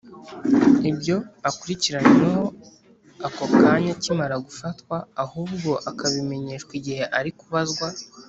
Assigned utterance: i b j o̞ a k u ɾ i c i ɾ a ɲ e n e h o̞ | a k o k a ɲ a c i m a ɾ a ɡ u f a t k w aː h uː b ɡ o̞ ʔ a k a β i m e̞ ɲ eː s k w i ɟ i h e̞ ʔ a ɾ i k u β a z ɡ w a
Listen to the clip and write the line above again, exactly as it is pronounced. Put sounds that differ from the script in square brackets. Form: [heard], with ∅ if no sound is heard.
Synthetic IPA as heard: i b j o̞ a k u ɾ i c i ɾ a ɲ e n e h o̞ | a k o k a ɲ a c i m a ɾ a ɡ u f a t k w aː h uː b ɡ o̞ ʔ a k a β i m e̞ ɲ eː [ʃ] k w i ɟ i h e̞ ʔ a ɾ i k u β a z ɡ w a